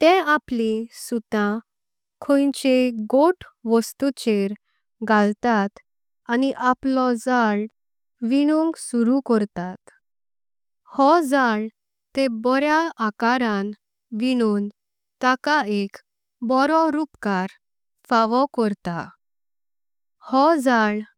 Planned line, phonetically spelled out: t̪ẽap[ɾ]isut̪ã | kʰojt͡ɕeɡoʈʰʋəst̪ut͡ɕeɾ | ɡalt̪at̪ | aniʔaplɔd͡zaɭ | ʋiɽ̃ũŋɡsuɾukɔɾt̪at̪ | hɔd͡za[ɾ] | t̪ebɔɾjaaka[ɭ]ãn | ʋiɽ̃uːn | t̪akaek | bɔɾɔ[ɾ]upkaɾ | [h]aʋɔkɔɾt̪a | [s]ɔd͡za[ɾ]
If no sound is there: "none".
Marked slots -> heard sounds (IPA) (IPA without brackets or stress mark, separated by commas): l, ɭ, ɾ, ɾ, f, h, ɭ